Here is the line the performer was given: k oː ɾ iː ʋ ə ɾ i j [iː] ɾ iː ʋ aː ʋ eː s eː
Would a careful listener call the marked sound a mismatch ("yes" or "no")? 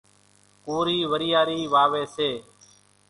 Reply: yes